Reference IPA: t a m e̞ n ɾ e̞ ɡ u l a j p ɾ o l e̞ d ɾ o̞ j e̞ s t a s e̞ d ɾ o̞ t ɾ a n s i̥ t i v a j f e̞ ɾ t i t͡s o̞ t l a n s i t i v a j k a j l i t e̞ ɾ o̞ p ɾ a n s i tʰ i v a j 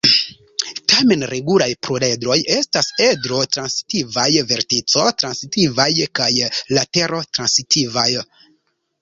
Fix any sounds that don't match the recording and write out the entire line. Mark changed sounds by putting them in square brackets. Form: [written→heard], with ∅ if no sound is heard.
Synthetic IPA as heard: t a m e̞ n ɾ e̞ ɡ u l a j p ɾ o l e̞ d ɾ o̞ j e̞ s t a s e̞ d ɾ o̞ t ɾ a n s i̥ t i v a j [f→v] e̞ ɾ t i t͡s o̞ t [l→ɾ] a n s i t i v a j k a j l [i→a] t e̞ ɾ o̞ [p→t] ɾ a n s i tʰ i v a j